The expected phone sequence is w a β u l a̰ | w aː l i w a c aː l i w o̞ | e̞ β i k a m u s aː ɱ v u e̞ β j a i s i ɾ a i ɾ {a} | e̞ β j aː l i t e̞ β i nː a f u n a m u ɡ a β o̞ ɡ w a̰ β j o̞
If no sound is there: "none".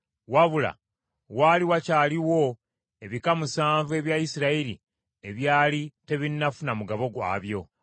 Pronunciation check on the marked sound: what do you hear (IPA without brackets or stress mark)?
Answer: i